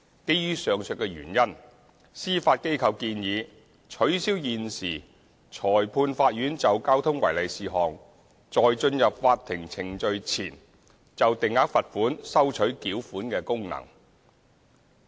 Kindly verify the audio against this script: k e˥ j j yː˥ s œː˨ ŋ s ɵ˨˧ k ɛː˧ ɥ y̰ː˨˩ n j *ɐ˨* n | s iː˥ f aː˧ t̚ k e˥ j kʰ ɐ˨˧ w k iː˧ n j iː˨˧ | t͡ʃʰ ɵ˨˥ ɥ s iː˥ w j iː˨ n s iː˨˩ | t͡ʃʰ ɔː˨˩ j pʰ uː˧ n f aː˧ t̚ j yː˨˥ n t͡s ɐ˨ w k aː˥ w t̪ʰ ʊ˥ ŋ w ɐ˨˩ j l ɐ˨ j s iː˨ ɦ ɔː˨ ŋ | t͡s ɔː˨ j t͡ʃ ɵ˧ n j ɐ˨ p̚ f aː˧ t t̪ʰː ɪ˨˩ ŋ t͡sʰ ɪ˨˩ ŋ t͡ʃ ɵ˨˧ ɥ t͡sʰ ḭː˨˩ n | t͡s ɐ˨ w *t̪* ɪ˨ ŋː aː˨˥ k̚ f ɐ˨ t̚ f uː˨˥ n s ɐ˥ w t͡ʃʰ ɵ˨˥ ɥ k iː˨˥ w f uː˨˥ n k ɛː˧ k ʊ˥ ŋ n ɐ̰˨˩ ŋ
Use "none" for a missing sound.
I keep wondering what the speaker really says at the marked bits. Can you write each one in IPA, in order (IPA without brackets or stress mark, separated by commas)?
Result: ɐ˥, t̪